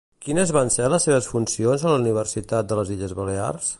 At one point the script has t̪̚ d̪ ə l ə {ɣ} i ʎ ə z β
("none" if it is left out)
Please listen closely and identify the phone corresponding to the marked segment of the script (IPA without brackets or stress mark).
z